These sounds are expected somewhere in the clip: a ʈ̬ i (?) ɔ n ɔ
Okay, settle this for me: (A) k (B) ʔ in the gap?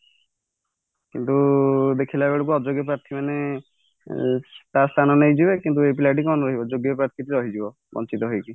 A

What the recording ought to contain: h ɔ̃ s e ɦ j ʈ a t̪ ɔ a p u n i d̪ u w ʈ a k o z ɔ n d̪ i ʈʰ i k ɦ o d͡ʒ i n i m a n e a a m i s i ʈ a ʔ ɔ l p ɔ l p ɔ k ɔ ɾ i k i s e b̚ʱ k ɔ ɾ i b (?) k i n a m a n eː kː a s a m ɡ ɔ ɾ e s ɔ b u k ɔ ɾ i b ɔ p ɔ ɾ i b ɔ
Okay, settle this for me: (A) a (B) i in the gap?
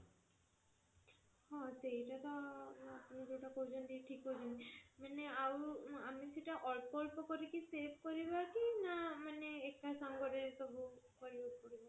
A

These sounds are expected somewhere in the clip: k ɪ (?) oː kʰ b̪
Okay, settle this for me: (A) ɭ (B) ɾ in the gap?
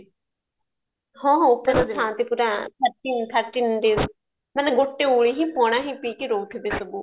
B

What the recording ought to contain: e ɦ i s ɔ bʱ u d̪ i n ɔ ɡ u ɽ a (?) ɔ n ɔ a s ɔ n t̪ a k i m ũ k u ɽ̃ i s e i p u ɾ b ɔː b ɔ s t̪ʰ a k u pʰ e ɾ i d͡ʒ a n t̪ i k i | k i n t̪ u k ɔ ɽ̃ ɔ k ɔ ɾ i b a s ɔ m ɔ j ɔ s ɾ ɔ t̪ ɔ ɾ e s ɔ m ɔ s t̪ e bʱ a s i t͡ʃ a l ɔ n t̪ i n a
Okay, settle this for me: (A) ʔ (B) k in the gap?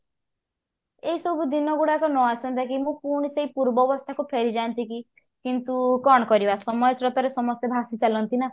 B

